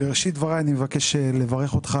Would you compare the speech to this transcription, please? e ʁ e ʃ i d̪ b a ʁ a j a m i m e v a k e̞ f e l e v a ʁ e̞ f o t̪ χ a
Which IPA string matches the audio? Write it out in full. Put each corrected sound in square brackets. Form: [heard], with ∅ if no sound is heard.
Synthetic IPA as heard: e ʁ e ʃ i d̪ [v] a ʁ a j a [n] i m e v a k e̞ [ʃ] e l e v a ʁ e̞ [χ] o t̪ χ a